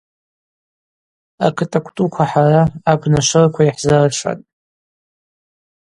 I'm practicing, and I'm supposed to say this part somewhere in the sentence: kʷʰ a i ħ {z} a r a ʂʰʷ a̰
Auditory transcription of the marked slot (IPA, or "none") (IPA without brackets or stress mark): z